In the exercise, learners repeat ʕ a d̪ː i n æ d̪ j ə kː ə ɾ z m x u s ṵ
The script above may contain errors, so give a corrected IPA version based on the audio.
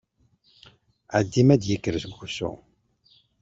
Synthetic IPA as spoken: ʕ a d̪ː i m æ d̪ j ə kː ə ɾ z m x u s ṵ